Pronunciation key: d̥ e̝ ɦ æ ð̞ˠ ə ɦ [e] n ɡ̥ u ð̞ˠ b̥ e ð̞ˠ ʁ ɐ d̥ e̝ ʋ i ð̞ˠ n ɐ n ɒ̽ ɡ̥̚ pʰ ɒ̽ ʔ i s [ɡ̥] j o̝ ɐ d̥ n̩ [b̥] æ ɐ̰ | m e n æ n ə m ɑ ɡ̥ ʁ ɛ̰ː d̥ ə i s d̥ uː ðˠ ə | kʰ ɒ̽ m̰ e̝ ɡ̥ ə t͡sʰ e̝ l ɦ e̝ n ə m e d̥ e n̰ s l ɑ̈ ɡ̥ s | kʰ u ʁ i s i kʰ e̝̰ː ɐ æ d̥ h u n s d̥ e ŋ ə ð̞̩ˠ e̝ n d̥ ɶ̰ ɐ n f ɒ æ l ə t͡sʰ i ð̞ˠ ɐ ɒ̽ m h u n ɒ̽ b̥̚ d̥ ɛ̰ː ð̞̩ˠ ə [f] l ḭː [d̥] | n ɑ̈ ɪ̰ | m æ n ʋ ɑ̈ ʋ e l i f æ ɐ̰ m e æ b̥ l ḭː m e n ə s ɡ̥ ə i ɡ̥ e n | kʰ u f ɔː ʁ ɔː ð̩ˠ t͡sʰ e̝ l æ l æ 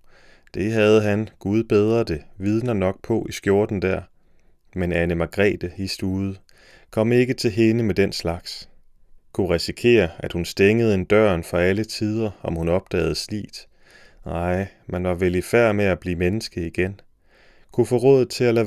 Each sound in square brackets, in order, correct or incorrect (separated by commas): incorrect, correct, incorrect, incorrect, correct